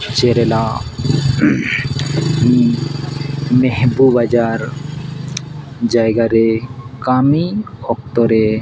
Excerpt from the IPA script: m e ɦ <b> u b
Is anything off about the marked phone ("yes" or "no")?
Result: no